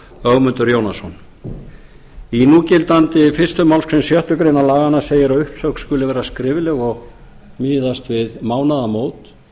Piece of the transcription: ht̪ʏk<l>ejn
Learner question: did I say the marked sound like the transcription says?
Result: no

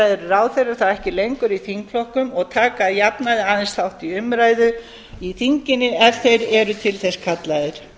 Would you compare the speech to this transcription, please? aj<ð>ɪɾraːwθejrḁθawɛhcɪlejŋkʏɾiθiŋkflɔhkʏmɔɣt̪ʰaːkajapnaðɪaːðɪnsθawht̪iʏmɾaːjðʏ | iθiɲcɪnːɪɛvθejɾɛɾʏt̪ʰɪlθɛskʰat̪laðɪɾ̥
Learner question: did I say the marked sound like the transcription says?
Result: yes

